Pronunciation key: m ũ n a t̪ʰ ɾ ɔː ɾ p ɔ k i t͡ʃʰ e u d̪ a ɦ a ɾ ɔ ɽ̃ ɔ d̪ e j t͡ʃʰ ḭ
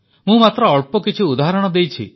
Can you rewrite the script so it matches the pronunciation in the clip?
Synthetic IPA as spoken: m ũ m a t̪ ɾ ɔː ɭ p ɔ k i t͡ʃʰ i u d̪ a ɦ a ɾ ɔ ɽ̃ ɔ d̪ e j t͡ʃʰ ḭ